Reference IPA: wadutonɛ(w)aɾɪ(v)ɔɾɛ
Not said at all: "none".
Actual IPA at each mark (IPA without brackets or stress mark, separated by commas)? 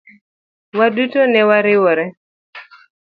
w, w